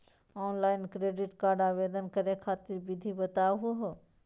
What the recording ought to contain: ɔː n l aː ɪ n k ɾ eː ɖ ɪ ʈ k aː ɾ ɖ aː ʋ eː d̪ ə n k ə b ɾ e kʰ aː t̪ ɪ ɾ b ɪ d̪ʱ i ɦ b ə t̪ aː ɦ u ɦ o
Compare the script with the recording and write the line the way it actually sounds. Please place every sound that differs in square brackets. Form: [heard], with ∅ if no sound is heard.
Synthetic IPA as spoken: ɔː n l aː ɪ n k ɾ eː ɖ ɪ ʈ k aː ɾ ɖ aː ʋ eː d̪ ə n k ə [∅] ɾ e kʰ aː t̪ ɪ ɾ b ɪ d̪ʱ i [∅] b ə t̪ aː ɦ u ɦ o